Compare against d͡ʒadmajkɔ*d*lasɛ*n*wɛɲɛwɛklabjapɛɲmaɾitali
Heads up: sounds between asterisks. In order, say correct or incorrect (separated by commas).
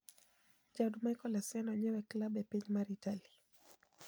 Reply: incorrect, correct